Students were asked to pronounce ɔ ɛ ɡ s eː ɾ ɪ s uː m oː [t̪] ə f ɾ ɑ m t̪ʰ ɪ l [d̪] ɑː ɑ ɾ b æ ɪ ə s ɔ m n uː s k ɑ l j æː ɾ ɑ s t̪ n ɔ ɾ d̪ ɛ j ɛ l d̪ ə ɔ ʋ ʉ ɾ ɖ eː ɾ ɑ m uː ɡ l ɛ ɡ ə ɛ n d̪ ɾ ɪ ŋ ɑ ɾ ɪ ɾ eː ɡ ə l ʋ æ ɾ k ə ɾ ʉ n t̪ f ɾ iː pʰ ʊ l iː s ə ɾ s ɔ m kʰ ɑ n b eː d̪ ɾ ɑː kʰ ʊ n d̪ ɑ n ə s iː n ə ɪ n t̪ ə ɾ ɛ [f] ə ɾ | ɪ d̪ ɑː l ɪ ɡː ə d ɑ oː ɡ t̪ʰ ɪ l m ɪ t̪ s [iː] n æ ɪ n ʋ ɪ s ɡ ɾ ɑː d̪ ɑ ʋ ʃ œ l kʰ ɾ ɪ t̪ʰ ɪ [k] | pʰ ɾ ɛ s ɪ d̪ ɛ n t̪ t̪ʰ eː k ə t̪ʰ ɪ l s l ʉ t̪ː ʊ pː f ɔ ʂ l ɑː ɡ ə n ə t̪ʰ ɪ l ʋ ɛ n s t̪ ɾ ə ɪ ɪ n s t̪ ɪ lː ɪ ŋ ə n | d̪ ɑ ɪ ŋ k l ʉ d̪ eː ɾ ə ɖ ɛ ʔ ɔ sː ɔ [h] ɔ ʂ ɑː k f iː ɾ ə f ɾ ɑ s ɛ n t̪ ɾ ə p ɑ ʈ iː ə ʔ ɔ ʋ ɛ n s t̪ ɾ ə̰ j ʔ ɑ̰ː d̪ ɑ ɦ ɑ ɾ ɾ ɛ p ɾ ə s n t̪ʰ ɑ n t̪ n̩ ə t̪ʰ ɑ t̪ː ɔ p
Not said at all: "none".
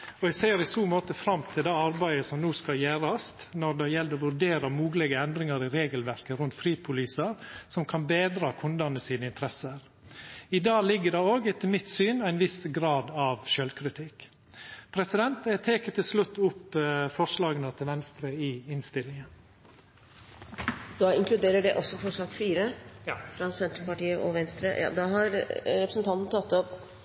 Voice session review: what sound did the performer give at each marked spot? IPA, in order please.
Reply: t̪, d̪, s, yː, k, f

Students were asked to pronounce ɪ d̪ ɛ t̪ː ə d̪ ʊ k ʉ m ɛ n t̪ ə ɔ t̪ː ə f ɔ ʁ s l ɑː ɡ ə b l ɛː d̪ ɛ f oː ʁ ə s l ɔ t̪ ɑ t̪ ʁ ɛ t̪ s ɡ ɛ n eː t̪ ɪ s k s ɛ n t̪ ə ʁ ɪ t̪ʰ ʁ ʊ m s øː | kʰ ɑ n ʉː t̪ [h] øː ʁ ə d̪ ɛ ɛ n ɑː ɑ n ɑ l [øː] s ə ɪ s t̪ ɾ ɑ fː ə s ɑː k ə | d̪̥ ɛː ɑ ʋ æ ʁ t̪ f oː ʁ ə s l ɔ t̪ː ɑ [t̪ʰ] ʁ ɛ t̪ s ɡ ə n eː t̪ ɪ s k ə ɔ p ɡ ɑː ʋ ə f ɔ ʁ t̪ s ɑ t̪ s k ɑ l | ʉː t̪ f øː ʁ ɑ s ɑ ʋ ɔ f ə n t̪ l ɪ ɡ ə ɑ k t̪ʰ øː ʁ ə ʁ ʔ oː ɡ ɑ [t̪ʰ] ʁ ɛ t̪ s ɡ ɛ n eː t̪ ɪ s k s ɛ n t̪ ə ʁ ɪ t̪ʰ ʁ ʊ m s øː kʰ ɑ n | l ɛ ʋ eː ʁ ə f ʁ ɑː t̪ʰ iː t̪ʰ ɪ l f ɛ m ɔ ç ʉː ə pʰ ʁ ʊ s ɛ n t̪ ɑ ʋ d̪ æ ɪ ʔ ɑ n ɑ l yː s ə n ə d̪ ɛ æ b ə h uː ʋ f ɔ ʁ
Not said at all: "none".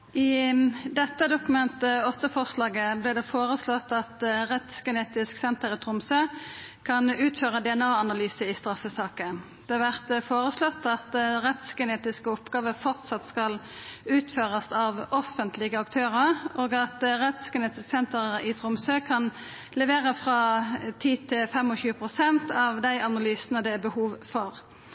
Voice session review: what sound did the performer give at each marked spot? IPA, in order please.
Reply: f, yː, t̪, t̪

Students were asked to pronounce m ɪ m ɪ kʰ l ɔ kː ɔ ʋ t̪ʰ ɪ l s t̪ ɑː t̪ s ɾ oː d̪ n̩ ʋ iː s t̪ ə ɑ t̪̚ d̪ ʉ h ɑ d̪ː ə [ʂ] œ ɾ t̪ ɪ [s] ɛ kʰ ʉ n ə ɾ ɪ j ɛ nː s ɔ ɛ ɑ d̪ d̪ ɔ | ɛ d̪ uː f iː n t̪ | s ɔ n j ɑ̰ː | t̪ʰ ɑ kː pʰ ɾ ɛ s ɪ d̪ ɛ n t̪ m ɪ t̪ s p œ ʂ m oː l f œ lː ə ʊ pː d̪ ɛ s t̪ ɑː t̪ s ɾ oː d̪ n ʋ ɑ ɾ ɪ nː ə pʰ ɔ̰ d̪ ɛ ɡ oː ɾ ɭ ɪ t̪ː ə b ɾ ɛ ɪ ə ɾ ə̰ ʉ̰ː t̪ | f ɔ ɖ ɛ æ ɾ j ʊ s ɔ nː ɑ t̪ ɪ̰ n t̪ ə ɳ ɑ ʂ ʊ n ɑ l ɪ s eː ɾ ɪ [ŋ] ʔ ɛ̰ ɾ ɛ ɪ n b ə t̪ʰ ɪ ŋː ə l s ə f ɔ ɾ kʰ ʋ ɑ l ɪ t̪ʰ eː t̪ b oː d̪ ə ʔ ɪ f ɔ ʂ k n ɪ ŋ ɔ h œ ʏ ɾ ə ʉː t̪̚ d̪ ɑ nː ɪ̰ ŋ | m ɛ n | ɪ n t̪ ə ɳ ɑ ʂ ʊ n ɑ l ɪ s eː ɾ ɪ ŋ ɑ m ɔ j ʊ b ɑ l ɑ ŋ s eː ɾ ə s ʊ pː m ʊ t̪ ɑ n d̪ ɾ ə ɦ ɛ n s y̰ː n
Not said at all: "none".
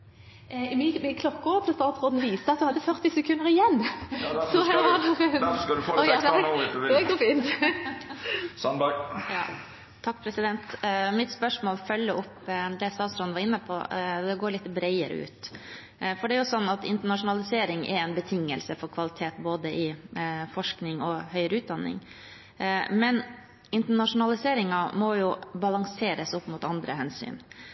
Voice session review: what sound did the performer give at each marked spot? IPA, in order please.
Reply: f, s, ŋ

